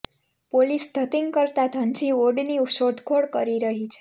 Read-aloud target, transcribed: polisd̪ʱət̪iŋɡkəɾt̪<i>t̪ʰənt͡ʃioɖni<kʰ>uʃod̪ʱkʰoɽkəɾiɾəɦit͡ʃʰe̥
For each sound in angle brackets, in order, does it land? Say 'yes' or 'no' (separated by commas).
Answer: no, no